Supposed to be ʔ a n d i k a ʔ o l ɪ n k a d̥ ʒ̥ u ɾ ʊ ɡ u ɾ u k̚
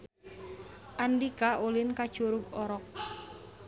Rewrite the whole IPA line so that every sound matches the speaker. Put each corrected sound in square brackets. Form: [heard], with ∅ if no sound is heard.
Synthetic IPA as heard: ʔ a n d i k a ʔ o l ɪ n k a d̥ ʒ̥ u ɾ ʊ ɡ [ɔ] ɾ [ɔ] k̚